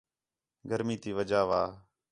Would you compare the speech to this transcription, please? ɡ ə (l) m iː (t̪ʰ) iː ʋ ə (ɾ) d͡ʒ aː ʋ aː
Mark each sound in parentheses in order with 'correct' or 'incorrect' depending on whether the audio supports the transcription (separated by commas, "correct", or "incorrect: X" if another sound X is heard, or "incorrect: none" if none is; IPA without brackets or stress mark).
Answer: incorrect: ɾ, incorrect: t̪, incorrect: none